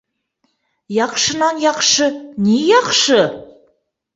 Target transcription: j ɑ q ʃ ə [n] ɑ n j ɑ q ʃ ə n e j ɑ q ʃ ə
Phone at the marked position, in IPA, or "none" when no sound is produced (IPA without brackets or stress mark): n